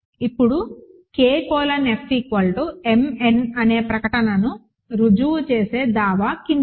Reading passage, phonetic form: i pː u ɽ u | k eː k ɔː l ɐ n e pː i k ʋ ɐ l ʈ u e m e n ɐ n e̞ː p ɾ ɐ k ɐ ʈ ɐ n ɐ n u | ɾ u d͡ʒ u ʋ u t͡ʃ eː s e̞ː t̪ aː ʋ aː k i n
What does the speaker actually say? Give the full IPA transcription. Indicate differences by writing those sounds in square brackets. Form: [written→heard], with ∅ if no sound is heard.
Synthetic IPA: i pː u ɽ u | k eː k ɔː l ɐ n e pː i k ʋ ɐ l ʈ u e m e n ɐ n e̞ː p ɾ ɐ k ɐ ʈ ɐ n ɐ n u | ɾ u d͡ʒ u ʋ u t͡ʃ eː s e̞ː [t̪→d̪] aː ʋ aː k i n